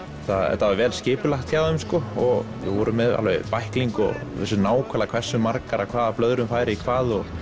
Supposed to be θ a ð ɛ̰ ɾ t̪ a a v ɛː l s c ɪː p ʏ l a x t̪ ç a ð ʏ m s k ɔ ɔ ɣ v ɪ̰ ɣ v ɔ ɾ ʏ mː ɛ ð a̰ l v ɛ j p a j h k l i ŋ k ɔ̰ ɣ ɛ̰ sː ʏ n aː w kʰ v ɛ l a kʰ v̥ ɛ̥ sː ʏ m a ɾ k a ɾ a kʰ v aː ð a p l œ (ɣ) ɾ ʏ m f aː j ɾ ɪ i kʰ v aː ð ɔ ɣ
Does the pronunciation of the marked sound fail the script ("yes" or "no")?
yes